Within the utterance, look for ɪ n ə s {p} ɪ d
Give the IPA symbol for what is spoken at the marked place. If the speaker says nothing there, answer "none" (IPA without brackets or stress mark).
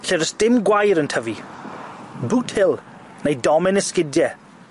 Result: k